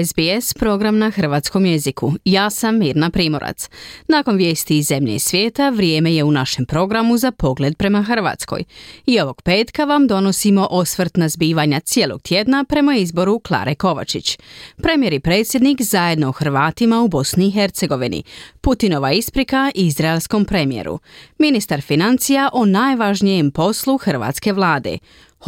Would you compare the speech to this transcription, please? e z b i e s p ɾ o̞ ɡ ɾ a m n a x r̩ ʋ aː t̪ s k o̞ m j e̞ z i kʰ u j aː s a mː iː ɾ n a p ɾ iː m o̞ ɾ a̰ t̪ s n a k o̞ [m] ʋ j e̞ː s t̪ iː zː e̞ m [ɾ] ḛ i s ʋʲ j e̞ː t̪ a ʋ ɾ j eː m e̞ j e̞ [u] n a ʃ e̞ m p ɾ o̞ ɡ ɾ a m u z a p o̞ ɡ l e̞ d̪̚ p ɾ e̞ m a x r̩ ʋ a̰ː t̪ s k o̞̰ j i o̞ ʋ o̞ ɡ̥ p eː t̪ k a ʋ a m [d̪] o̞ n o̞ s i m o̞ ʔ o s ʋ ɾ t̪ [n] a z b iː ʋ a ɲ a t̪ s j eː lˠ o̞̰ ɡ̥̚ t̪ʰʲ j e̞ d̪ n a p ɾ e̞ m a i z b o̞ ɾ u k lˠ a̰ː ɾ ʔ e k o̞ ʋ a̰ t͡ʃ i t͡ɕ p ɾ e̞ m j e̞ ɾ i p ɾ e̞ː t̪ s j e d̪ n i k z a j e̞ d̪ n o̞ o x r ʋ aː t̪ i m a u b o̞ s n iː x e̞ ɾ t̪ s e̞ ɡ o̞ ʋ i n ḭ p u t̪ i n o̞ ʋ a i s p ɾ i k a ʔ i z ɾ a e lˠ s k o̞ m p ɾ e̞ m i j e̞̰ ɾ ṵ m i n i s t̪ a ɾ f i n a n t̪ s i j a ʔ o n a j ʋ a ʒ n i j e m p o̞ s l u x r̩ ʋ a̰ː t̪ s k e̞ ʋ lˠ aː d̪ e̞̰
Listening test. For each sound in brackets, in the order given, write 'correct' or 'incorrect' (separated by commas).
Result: incorrect, incorrect, correct, correct, correct